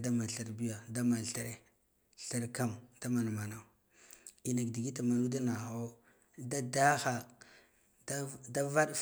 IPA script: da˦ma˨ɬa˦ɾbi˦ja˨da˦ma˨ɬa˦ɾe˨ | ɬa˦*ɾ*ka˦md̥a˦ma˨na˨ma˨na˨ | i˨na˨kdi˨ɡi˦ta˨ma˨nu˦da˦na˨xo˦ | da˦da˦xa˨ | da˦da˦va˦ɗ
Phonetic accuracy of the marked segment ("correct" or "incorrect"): correct